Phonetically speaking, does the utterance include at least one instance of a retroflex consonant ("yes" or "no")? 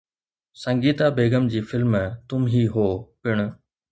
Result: yes